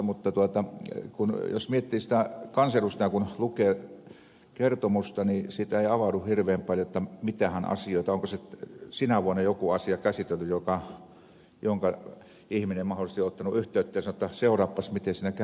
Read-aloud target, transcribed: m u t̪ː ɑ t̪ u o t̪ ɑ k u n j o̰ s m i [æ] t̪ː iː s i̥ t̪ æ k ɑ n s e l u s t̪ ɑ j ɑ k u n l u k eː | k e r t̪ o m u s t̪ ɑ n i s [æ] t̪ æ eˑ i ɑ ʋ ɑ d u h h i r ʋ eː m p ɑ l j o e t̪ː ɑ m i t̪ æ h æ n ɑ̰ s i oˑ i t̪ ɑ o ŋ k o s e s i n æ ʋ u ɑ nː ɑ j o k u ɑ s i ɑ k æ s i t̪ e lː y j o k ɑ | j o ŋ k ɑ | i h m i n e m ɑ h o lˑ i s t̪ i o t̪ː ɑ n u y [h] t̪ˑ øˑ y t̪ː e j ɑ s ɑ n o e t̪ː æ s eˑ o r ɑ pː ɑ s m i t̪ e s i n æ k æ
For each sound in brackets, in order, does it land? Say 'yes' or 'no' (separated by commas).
no, no, yes